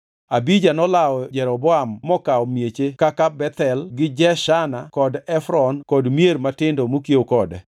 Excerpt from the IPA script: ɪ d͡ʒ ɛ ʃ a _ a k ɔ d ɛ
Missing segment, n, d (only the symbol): n